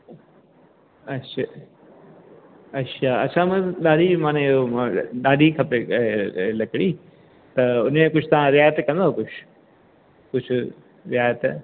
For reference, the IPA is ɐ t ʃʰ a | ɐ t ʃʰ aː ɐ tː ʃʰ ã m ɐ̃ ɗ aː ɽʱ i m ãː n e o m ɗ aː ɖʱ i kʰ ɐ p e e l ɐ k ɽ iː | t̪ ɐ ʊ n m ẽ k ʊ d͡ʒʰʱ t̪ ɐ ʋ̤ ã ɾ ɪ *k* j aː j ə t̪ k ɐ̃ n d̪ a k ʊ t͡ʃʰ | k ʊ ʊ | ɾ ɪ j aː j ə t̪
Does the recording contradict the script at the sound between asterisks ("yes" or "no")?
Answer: yes